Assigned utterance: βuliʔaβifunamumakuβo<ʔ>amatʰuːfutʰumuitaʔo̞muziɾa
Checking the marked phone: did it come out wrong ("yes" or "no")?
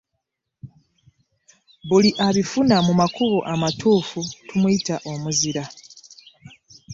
no